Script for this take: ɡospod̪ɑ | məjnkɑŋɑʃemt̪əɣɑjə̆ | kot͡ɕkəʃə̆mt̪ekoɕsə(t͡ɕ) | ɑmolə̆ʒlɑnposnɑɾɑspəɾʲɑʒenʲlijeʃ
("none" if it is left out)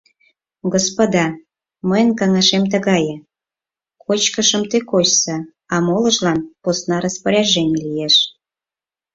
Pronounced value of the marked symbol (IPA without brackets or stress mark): none